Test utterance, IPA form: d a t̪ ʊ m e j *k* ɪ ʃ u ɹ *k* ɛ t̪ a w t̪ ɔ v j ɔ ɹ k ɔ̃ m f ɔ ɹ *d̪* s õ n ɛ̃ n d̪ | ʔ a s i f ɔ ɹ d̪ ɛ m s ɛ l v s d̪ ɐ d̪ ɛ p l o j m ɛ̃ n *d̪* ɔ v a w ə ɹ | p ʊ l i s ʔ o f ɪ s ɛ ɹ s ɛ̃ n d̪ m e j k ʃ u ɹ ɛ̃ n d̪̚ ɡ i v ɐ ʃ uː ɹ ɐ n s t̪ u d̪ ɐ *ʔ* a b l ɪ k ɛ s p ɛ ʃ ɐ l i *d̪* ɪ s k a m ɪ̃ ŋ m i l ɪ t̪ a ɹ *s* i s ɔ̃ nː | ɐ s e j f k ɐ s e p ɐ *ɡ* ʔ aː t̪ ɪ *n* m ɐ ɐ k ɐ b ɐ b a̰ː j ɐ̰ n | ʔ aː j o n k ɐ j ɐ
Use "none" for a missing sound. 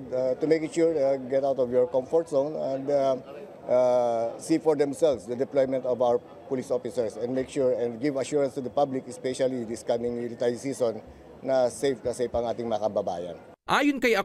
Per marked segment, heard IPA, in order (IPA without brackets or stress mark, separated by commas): k, ɡ, t̪, t̪, p, d̪, s, ŋ, ŋ